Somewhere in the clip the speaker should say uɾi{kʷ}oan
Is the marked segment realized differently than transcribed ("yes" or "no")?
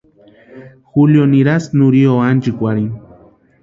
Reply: yes